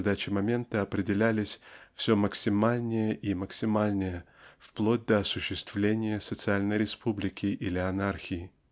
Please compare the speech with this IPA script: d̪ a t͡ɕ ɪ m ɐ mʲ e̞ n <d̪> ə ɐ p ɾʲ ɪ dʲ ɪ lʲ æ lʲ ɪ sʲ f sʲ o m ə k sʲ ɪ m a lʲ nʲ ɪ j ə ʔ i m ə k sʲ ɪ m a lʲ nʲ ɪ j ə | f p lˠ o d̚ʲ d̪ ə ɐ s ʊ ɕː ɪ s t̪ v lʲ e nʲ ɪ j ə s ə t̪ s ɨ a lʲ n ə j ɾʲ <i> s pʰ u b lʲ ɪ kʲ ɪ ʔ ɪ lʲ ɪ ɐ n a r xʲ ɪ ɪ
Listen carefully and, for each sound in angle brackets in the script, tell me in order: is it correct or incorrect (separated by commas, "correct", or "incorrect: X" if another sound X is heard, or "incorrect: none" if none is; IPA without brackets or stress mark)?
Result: incorrect: t̪, incorrect: ɪ